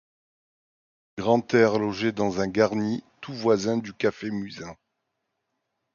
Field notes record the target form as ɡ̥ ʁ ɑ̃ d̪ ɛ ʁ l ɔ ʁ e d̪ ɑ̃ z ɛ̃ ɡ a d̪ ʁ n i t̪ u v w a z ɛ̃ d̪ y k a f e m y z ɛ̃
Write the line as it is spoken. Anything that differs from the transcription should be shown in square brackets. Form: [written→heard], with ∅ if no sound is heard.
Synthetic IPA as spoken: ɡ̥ ʁ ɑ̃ [d̪→t̪] ɛ ʁ l ɔ [ʁ→ʒ] e d̪ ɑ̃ z ɛ̃ ɡ a [d̪→∅] ʁ n i t̪ u v w a z ɛ̃ d̪ y k a f e m y z ɛ̃